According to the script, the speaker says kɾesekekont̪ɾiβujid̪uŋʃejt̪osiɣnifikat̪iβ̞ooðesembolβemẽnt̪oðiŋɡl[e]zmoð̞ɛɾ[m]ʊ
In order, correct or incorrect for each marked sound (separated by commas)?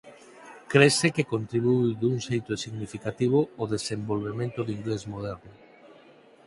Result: correct, incorrect